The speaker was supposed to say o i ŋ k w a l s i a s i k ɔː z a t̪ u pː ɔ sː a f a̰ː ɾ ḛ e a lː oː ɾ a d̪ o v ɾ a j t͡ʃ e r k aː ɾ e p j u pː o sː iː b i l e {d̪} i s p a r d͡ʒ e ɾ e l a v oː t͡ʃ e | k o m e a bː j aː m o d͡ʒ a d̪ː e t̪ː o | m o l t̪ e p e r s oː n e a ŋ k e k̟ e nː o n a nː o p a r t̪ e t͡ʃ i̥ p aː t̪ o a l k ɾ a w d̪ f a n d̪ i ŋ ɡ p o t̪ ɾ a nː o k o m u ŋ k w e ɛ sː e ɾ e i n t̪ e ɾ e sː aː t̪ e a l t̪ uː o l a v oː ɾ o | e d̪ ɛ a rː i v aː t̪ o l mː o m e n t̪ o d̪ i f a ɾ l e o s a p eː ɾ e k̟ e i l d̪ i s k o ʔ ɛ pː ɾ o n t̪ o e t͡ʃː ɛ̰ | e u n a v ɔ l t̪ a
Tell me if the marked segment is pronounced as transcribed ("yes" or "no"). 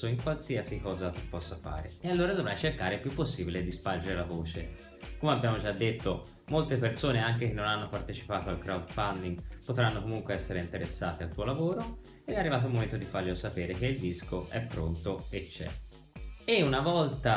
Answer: yes